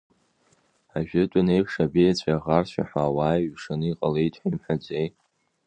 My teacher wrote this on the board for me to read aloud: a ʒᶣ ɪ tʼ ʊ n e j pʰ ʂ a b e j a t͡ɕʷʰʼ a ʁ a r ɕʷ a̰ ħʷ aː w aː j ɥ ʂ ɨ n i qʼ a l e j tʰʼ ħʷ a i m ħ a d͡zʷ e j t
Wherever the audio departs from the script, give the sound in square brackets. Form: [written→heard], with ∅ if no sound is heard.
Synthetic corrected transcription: a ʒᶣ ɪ tʼ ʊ n e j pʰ ʂ a b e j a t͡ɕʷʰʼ a ʁ a r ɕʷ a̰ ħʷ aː w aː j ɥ ʂ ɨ n i qʼ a l e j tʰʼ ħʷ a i m ħ a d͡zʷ e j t